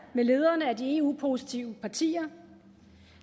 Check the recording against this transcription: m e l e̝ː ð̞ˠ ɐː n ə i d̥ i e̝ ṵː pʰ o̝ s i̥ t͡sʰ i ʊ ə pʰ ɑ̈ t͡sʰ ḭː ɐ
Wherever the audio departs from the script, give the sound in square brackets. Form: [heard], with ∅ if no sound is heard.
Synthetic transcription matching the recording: m e l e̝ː ð̞ˠ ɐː n ə [æ] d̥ i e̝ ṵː pʰ o̝ s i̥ t͡sʰ i ʊ ə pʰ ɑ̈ t͡sʰ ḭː ɐ

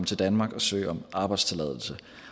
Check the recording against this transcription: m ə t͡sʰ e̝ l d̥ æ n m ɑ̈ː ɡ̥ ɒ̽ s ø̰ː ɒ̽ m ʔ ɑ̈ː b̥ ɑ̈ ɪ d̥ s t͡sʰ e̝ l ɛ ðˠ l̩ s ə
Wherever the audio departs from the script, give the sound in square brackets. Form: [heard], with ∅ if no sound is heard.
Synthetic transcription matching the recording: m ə t͡sʰ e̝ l d̥ æ n m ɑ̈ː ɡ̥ ɒ̽ s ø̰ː ɒ̽ m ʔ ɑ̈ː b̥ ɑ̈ ɪ d̥ s t͡sʰ e̝ l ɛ ðˠ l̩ s ə

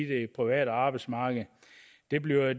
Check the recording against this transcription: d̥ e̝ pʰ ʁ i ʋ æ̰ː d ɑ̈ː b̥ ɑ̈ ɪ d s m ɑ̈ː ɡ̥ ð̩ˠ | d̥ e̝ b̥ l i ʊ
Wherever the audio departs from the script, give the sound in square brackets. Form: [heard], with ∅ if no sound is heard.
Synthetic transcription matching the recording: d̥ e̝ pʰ ʁ i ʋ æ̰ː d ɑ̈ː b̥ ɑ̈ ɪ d s m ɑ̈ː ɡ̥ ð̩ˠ | d̥ e̝ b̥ l i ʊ

